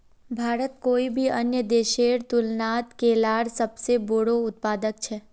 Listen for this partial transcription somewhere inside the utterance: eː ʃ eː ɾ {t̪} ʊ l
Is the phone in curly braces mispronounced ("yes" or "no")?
no